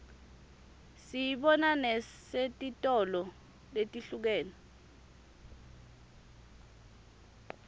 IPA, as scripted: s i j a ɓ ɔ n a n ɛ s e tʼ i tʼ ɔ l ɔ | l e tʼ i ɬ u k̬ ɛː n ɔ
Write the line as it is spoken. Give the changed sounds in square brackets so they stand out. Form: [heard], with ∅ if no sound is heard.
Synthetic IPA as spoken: s i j [i] ɓ ɔ n a n ɛ s e tʼ i tʼ ɔ l ɔ | l e tʼ i ɬ u k̬ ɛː n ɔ

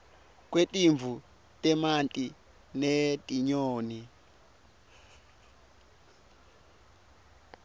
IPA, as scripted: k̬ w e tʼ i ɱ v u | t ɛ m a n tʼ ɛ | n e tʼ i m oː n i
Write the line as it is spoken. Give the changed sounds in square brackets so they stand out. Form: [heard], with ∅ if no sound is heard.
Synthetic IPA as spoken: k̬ w e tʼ i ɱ v u | t ɛ m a n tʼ [i] | n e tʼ i [ɲ] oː n i

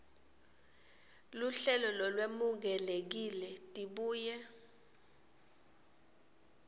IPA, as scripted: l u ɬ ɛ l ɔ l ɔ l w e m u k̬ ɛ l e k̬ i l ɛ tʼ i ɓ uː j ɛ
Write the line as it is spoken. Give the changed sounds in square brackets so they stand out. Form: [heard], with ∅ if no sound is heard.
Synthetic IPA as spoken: l u ɬ ɛ l ɔ l ɔ l w e m u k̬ ɛ l e k̬ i l ɛ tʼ i ɓ uː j ɛ

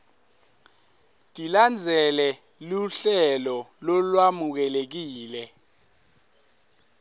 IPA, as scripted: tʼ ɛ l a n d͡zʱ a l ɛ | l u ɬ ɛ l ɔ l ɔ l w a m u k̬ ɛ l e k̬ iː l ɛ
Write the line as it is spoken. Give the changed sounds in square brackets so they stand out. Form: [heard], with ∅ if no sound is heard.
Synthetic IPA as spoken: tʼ [i] l a n d͡zʱ [ɛ] l ɛ | l u ɬ ɛ l ɔ l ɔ l w a m u k̬ ɛ l e k̬ iː l ɛ

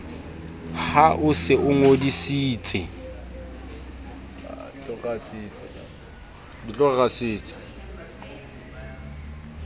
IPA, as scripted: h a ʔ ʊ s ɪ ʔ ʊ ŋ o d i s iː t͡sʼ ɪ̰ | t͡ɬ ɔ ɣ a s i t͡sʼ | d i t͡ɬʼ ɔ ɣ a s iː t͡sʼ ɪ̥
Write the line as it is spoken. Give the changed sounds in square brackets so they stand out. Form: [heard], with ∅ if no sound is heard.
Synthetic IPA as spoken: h a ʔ ʊ s ɪ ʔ ʊ ŋ o d i s iː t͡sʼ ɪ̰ | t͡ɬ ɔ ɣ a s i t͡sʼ | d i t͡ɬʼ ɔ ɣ a s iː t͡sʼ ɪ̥

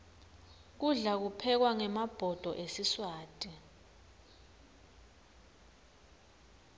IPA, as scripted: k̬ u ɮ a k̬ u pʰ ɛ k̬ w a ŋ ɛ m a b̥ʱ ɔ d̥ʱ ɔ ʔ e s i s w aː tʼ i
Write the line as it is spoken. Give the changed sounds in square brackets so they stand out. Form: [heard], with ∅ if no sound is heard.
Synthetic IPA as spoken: k̬ u ɮ a k̬ u pʰ ɛ k̬ w a ŋ ɛ m a b̥ʱ ɔ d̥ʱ ɔ ʔ e s i s w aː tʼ i

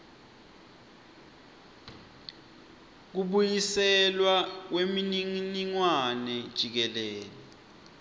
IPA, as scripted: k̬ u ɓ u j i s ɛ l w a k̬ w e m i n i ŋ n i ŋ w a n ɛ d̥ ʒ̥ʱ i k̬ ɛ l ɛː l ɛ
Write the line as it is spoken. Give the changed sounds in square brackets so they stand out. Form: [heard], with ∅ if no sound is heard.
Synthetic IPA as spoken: k̬ u ɓ u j i s ɛ l w a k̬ w e m i n i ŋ n i ŋ w a n ɛ d̥ ʒ̥ʱ i k̬ ɛ l ɛː l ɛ

